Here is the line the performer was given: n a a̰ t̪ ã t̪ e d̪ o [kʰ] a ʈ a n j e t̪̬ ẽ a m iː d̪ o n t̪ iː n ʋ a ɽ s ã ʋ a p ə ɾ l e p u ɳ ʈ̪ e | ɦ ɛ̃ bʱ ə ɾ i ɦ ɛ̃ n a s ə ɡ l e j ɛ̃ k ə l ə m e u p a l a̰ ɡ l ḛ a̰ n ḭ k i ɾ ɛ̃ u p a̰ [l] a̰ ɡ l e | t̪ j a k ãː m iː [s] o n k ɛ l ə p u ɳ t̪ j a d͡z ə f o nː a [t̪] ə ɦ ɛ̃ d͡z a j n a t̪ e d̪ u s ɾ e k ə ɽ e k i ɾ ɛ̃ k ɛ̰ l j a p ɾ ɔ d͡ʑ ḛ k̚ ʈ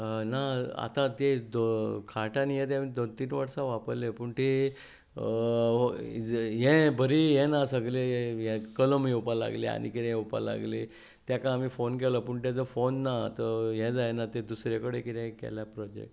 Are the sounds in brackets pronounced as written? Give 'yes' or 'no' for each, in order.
yes, yes, no, yes

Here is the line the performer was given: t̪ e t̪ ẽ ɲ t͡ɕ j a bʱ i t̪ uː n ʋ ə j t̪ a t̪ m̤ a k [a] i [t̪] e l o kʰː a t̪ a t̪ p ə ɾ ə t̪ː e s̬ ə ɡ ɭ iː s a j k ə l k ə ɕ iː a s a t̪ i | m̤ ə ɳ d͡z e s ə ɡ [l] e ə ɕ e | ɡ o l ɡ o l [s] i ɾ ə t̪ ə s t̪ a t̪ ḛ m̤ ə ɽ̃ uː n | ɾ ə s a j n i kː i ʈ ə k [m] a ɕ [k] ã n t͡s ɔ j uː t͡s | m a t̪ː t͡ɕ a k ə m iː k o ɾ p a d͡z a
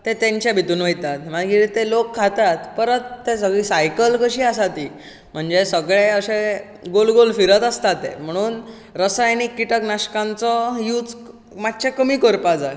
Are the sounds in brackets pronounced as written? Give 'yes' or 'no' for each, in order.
no, yes, no, no, no, yes

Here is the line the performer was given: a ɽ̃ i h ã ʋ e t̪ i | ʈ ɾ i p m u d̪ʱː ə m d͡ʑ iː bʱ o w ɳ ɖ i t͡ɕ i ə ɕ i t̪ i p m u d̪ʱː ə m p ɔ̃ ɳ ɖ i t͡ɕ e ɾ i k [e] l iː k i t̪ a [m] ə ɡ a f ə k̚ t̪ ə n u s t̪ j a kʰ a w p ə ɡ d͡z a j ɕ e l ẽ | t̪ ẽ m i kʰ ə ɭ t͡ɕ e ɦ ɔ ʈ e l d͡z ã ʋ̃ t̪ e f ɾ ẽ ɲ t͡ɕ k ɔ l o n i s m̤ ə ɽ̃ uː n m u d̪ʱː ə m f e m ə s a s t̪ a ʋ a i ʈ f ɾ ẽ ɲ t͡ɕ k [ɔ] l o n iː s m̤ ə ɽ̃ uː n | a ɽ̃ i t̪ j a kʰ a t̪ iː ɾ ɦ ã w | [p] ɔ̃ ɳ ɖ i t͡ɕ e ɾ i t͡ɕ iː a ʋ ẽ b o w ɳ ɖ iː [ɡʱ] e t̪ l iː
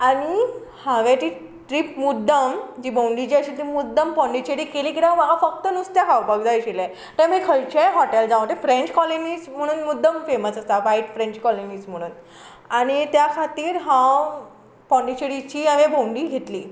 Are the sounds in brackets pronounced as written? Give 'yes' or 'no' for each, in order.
yes, yes, yes, yes, yes

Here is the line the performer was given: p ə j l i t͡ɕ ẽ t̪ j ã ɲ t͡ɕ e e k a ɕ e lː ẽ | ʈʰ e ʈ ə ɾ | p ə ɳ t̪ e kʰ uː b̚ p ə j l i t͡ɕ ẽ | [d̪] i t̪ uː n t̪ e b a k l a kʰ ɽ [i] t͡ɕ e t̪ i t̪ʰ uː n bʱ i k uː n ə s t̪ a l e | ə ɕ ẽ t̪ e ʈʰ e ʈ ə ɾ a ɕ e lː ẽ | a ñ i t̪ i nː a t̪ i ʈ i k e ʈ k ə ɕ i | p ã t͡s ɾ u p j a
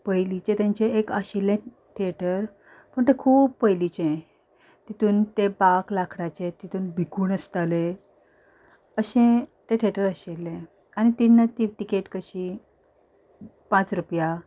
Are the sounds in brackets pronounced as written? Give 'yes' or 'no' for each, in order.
no, no

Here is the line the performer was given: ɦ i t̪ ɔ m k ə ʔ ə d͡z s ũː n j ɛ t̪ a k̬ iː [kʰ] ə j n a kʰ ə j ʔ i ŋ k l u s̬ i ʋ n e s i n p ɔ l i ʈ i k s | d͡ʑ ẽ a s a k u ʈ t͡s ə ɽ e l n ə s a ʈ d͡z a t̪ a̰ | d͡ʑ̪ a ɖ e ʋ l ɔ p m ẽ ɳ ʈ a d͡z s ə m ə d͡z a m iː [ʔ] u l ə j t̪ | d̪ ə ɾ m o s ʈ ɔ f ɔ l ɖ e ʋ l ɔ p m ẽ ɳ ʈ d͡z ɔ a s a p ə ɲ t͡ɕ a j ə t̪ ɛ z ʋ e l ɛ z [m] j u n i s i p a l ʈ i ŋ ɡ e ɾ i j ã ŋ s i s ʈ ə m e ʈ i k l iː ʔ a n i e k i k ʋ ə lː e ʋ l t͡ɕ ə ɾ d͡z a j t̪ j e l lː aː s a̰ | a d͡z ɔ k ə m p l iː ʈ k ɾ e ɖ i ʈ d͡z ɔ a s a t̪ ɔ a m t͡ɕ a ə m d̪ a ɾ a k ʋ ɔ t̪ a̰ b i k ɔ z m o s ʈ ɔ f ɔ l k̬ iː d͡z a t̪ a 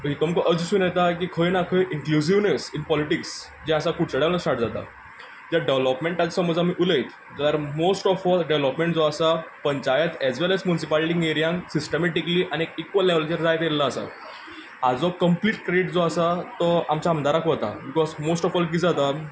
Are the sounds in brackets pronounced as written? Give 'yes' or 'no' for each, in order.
yes, yes, yes

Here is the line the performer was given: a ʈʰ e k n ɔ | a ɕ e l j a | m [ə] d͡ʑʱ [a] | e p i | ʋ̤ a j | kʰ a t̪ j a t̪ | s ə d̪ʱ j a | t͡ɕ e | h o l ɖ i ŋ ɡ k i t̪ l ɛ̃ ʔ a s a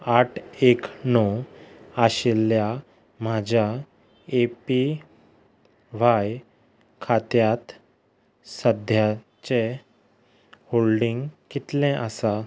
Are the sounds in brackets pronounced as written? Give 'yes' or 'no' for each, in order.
no, yes

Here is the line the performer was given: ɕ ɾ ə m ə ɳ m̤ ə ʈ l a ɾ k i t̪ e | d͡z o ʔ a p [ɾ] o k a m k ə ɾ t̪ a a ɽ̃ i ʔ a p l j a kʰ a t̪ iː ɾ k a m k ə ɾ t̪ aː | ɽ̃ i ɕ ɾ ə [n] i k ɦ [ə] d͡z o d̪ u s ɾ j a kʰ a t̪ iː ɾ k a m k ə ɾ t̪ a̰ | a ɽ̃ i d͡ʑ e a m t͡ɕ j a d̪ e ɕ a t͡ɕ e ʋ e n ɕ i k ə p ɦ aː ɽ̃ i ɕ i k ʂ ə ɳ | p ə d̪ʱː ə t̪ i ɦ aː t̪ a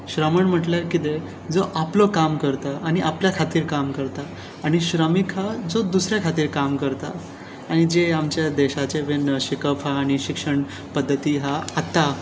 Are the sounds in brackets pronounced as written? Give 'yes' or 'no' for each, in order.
no, no, no

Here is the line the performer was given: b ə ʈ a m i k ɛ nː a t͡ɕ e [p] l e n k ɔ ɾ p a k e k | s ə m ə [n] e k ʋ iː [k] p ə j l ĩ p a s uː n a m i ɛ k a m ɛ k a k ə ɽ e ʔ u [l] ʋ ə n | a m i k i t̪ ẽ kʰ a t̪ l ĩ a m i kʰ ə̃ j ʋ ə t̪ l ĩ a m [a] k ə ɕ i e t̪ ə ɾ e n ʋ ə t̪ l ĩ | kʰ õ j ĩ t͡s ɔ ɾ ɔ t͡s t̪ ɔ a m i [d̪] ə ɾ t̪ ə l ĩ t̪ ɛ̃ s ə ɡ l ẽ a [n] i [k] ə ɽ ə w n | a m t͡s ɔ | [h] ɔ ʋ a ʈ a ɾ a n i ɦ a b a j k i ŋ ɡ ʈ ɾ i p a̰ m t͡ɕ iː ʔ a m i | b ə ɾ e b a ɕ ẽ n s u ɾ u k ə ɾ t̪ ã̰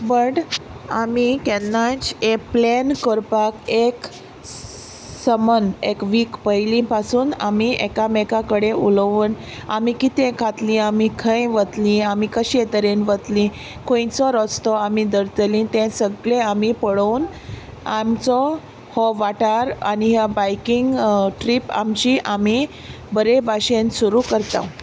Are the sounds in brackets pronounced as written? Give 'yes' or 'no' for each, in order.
yes, yes, yes, yes, no, yes, no, no, yes

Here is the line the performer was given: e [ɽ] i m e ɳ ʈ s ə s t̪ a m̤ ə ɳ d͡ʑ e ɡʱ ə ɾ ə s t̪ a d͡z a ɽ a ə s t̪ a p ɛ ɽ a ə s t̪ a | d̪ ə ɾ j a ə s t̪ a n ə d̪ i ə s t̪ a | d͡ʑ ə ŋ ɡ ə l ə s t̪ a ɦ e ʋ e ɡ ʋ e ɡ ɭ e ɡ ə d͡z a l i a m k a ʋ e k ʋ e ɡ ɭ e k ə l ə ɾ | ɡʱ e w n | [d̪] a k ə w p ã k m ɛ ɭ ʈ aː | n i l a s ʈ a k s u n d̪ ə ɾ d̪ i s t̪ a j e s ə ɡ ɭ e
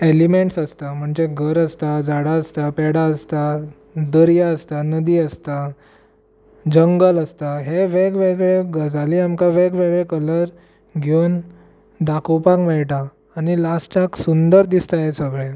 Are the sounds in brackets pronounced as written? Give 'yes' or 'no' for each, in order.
no, yes

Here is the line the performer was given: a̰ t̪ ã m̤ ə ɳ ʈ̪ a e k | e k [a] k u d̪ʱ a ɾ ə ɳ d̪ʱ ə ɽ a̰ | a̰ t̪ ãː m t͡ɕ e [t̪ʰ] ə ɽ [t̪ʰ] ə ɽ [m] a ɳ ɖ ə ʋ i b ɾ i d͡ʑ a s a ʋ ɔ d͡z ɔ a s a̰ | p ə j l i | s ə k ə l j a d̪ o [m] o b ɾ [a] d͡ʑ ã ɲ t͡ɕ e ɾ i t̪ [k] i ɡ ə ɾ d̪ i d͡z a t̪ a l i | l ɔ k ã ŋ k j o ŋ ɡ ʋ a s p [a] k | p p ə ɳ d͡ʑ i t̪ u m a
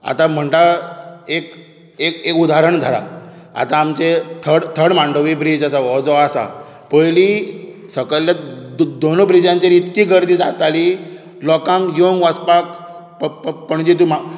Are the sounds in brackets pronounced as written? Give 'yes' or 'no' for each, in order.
no, yes, yes, yes, no, no, yes, yes

